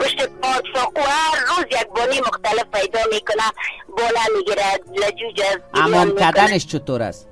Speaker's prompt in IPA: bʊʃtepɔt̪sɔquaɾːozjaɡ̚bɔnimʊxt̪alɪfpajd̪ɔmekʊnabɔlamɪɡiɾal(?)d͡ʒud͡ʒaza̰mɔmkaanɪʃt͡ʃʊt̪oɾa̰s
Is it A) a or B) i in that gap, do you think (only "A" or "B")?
A